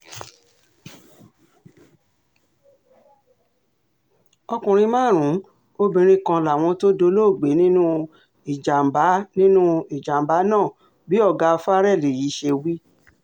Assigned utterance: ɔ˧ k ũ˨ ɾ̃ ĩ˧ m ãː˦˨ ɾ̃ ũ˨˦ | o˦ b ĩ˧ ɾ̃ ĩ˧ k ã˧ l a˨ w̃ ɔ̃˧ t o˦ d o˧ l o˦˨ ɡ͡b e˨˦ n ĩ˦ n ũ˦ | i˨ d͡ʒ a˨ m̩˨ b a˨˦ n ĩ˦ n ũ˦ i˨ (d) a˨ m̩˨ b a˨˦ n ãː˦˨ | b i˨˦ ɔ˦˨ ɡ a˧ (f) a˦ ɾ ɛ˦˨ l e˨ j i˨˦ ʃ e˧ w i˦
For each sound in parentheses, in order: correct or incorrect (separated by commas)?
incorrect, correct